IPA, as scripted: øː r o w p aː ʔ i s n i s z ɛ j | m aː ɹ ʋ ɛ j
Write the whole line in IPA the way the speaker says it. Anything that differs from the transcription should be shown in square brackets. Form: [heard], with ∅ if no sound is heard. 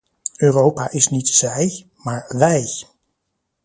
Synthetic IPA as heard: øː r o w p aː ʔ [ɪ] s n i [t] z ɛ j | m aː ɹ ʋ ɛ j

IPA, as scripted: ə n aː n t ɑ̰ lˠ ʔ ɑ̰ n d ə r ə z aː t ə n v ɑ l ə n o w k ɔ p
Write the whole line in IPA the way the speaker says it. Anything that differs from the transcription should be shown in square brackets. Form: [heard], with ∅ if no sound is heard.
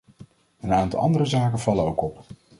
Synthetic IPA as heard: ə n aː n t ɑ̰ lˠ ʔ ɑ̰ n d ə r ə z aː [k] ə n v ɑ l ə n o w k ɔ p

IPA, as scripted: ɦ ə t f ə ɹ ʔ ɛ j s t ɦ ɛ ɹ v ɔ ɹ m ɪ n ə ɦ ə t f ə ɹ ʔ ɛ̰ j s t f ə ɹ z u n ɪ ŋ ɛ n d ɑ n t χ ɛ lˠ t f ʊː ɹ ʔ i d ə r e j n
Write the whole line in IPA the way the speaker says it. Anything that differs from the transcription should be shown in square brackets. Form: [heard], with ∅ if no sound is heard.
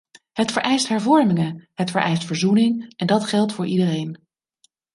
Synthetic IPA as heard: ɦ ə t f ə ɹ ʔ ɛ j s t ɦ ɛ ɹ v ɔ ɹ m ɪ [ŋ] ə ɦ ə t f ə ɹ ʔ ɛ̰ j s t f ə ɹ z u n ɪ ŋ ɛ n d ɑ [∅] t χ ɛ lˠ t f ʊː ɹ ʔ i d ə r e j n

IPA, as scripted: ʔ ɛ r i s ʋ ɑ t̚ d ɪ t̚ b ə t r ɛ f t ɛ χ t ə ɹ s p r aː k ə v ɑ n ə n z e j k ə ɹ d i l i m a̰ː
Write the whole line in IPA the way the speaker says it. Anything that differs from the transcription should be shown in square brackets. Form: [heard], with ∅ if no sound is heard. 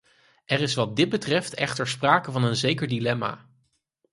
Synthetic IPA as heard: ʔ ɛ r [ɪ] s ʋ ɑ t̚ d ɪ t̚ b ə t r ɛ f t ɛ χ t ə ɹ s p r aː k ə v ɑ n ə n z e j k ə ɹ d i l [ɛ] m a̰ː

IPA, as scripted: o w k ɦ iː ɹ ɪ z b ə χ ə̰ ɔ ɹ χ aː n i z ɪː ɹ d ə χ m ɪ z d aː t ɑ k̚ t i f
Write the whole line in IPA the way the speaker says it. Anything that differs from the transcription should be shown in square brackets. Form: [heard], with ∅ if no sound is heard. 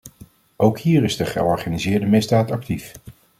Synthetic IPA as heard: o w k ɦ iː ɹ ɪ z [d] ə χ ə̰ ɔ ɹ χ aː n i z ɪː ɹ d ə [∅] m ɪ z d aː t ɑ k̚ t i f

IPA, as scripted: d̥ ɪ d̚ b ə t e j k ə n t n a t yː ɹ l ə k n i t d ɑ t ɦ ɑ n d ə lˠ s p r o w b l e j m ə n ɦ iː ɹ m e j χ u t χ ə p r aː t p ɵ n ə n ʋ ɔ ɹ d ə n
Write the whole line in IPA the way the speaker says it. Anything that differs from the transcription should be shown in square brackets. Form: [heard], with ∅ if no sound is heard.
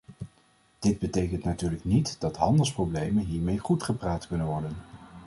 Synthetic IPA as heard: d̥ ɪ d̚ b ə t e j k ə n t n a t yː ɹ l ə k n i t d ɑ t ɦ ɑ n d ə lˠ s p r o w b l e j m ə n ɦ iː ɹ m e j χ u t χ ə p r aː t [k] ɵ n ə n ʋ ɔ ɹ d ə n

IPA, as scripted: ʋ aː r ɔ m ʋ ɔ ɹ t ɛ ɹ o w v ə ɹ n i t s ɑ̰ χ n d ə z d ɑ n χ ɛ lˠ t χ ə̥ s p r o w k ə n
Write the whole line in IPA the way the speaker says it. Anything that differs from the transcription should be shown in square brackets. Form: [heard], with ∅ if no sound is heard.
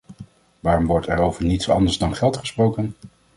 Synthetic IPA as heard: ʋ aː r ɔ m ʋ ɔ ɹ t ɛ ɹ o w v ə ɹ n i t s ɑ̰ [∅] n d ə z d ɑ n χ ɛ lˠ t χ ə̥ s p r o w k ə n

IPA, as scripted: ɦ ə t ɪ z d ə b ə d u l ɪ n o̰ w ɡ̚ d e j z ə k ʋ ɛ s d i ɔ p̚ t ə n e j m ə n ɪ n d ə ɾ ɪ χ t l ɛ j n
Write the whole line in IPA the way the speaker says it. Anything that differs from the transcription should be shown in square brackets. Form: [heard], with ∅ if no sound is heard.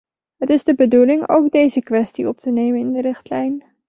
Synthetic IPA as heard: ɦ ə t ɪ z d ə b ə d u l ɪ [ŋ] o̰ w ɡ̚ d e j z ə k ʋ ɛ s [t] i ɔ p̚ t ə n e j m ə n ɪ n d ə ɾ ɪ χ t l ɛ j n

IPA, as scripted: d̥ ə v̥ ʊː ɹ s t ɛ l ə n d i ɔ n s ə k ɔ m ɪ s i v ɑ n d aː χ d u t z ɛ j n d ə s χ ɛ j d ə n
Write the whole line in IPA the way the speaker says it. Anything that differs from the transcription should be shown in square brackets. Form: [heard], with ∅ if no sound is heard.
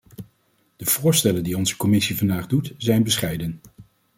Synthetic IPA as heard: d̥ ə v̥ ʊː ɹ s t ɛ l ə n d i ɔ n [z] ə k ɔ m ɪ s i v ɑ n d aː χ d u t z ɛ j n [b] ə s χ ɛ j d ə n

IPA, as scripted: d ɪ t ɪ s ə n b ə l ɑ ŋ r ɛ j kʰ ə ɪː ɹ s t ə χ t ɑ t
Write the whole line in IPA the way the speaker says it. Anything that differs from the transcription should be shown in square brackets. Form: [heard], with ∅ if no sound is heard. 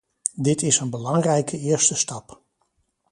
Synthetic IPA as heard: d ɪ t ɪ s ə n b ə l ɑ ŋ r ɛ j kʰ ə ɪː ɹ s t ə [s] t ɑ [p]

